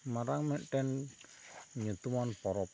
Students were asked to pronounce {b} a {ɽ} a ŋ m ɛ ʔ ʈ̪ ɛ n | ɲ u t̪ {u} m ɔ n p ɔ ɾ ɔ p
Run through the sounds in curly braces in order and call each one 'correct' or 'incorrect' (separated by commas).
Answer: incorrect, incorrect, correct